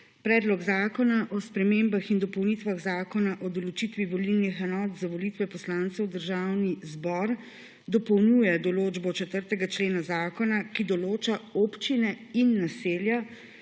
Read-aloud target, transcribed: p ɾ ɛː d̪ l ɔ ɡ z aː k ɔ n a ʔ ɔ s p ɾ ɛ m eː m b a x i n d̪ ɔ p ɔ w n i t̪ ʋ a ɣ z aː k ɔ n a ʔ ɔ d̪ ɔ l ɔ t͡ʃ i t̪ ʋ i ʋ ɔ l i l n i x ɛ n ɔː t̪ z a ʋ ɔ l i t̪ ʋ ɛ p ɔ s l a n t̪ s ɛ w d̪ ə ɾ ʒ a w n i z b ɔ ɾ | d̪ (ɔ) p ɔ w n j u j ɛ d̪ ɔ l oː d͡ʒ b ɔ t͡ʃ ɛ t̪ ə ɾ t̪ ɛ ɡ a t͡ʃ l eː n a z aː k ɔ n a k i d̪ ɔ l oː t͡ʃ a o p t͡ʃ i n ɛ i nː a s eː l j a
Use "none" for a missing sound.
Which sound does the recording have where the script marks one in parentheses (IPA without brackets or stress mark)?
ɔ